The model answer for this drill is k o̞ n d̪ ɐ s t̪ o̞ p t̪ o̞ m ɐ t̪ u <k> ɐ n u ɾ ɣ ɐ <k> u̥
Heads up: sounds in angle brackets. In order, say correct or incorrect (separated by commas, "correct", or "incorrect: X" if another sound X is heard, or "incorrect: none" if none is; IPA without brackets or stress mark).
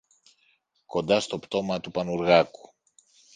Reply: incorrect: p, correct